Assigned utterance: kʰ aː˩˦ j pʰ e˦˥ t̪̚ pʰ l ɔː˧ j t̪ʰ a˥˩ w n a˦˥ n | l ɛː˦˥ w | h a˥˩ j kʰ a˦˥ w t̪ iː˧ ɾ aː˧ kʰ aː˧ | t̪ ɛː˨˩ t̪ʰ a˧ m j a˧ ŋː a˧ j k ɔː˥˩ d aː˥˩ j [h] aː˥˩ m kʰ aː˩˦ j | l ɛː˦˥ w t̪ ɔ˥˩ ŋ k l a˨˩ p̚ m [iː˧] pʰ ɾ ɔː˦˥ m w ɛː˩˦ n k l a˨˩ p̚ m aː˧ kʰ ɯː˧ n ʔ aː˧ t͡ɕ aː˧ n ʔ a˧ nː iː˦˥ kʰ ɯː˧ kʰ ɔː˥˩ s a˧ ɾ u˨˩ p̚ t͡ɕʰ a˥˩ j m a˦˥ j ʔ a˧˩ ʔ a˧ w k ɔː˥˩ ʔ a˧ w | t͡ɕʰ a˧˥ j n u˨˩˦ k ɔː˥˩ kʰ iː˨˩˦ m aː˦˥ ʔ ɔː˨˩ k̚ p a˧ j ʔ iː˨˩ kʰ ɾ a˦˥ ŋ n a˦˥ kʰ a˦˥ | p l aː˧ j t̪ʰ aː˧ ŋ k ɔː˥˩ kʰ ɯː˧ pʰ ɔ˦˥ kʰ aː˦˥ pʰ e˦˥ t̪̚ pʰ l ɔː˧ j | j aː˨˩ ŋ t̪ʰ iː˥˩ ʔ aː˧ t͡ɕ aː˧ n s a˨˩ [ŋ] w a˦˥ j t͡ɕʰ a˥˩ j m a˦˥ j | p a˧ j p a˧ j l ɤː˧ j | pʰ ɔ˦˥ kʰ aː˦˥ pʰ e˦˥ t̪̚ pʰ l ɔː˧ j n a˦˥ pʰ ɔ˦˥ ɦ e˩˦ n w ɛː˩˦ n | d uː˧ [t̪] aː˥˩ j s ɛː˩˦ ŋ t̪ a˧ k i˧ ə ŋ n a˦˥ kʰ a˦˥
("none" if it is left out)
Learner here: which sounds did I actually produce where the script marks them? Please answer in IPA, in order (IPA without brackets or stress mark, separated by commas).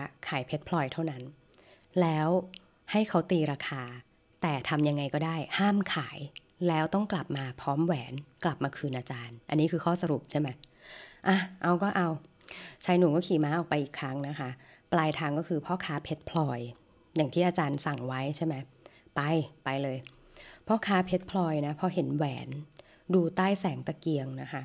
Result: h, aː˧, ŋ, t̪